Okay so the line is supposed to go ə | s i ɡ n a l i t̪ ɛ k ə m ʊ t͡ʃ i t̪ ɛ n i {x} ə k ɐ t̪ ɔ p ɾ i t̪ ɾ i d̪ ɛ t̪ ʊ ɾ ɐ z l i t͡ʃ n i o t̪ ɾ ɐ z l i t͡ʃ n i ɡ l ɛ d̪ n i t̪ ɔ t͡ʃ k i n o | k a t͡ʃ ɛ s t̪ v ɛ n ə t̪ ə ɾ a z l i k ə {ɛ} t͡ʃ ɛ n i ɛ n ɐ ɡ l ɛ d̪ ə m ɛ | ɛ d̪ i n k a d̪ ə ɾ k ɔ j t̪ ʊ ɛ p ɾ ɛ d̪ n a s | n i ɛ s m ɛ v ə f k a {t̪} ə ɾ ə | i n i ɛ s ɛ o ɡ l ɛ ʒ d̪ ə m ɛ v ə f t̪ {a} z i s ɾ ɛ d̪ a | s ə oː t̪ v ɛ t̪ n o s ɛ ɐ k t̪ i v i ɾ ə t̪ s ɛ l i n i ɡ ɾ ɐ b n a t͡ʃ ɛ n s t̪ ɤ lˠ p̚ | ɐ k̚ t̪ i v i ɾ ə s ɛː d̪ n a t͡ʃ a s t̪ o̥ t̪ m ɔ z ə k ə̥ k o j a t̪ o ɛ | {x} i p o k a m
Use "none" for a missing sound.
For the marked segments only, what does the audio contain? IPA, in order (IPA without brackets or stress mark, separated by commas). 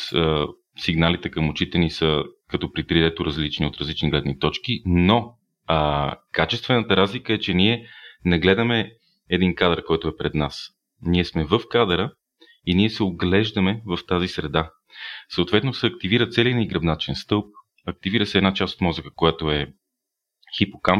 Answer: s, ɛ, d̪, a, x